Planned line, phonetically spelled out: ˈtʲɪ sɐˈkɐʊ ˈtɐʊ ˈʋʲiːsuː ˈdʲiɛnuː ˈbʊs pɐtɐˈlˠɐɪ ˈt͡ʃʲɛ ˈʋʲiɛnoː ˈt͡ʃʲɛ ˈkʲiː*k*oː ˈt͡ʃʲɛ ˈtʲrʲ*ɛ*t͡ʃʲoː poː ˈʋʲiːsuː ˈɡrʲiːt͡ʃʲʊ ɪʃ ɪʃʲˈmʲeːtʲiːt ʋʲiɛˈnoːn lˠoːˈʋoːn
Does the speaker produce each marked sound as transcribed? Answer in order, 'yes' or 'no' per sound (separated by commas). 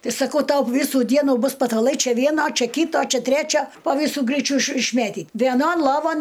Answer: no, no